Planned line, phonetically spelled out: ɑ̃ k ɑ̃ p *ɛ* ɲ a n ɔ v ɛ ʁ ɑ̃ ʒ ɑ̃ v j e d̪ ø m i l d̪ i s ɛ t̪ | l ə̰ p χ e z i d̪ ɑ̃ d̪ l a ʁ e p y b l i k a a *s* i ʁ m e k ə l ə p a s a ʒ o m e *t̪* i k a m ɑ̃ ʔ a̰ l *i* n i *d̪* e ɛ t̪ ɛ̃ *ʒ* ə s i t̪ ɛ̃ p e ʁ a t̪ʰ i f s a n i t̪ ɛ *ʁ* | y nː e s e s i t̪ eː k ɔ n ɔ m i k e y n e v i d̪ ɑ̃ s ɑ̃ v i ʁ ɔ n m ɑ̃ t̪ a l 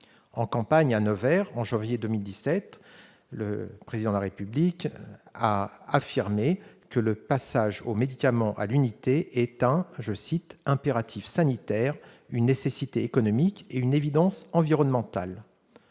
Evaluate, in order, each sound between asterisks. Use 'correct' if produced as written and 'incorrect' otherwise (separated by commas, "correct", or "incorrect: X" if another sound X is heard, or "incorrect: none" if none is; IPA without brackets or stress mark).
incorrect: a, incorrect: f, incorrect: d̪, incorrect: y, incorrect: t̪, correct, correct